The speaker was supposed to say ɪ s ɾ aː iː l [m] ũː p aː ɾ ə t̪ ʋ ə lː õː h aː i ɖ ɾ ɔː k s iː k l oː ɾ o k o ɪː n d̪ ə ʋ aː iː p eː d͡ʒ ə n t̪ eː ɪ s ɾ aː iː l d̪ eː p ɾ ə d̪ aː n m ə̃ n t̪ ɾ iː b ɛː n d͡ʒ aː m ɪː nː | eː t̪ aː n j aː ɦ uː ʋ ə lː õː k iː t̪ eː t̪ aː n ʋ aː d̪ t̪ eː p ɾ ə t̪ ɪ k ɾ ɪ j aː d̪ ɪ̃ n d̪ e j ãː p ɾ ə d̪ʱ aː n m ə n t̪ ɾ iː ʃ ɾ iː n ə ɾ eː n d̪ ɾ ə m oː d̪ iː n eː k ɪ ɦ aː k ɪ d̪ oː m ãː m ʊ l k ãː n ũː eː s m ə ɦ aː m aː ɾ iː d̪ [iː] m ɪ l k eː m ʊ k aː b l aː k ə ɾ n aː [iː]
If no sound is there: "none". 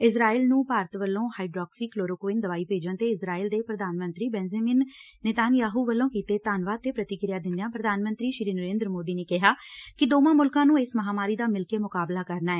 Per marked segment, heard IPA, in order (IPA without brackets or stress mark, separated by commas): n, aː, ɛː